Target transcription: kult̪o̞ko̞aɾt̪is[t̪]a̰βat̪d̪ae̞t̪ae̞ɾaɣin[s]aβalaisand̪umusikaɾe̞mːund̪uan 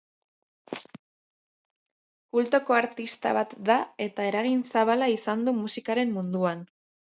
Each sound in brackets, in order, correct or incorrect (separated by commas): correct, correct